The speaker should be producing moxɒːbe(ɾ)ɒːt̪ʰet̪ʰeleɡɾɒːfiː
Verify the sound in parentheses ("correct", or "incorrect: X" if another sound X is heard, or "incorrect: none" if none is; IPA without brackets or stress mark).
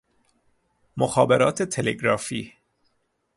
correct